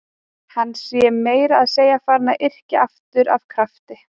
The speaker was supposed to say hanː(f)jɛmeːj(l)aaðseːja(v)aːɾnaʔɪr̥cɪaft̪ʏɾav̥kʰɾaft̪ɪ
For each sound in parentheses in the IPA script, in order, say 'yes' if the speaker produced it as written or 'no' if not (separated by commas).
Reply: no, no, no